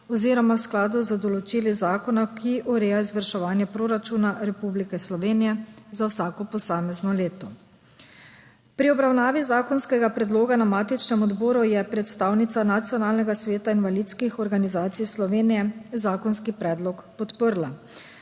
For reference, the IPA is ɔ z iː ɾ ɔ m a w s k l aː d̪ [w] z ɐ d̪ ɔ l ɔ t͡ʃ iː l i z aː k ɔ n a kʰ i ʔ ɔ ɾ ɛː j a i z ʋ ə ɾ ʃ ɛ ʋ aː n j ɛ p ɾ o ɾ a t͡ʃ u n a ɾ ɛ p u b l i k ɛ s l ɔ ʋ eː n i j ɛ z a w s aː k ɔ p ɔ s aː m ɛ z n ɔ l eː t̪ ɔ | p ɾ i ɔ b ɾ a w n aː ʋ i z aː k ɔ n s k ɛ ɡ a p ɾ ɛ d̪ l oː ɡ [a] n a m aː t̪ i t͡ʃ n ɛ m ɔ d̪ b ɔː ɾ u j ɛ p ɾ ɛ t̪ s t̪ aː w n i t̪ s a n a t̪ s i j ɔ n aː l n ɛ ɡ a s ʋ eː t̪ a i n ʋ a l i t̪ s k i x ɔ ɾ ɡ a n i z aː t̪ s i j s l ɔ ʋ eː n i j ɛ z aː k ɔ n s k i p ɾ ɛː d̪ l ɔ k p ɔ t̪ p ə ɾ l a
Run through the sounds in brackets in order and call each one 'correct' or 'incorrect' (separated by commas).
incorrect, correct